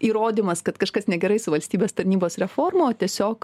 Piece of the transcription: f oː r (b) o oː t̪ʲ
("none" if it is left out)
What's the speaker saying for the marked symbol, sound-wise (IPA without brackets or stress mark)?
m